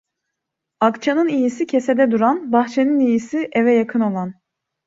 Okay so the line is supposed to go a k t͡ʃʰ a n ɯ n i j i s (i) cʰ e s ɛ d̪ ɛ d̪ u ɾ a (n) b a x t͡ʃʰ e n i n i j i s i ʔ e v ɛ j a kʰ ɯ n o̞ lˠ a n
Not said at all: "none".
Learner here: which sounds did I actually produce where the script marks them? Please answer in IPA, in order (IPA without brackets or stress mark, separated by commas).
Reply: i, n